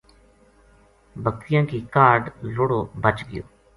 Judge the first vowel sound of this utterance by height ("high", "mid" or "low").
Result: mid